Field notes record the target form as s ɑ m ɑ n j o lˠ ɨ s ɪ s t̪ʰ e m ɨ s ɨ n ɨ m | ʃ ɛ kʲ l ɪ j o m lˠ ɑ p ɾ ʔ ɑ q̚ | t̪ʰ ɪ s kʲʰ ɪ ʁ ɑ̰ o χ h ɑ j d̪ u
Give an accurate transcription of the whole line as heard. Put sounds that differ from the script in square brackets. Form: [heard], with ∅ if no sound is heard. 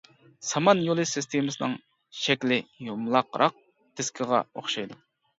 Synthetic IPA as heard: s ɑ m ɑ n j o lˠ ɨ s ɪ s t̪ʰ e m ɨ s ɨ n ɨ [ŋ] | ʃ ɛ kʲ l ɪ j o m lˠ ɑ [q] ɾ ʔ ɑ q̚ | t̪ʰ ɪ s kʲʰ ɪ ʁ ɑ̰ o χ [ʃ] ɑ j d̪ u